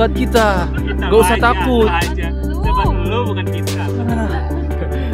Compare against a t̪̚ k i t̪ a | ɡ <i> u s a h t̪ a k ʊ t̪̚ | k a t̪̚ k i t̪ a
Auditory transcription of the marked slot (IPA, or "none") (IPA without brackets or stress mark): a